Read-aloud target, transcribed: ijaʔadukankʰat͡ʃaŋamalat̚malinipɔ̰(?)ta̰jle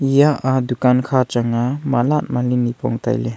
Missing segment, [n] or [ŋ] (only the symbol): ŋ